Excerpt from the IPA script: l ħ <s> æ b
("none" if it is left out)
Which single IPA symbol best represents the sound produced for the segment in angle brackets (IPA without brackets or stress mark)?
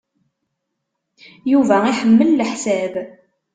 s